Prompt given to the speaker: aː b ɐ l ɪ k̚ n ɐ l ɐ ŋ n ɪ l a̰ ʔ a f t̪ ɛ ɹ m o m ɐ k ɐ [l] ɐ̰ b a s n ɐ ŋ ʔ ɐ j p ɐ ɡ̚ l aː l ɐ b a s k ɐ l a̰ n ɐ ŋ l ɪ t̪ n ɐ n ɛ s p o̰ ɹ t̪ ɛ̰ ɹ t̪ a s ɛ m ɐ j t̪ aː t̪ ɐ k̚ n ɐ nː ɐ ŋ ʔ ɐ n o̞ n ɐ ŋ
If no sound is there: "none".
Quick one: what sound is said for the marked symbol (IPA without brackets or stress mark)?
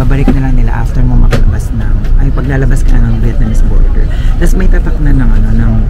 l